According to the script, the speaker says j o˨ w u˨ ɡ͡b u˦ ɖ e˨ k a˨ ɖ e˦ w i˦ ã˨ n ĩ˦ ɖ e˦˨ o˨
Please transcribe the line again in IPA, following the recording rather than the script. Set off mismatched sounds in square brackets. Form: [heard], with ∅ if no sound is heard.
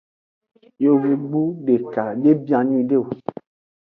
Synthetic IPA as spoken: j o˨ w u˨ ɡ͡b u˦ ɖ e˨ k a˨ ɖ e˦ [b] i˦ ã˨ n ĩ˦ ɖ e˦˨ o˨